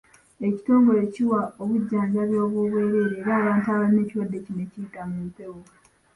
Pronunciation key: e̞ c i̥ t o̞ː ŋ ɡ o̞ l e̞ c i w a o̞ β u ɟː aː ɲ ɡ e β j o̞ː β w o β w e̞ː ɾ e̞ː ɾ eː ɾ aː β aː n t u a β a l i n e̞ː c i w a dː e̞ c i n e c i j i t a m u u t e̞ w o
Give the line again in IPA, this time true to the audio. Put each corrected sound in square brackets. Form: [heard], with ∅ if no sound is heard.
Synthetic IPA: e̞ c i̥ t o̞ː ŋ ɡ o̞ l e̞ c i w a o̞ β u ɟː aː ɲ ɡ [a] β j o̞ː β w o β w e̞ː ɾ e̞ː ɾ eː ɾ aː β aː n t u a β a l i n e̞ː c i w a dː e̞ c i n e c i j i t a m u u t e̞ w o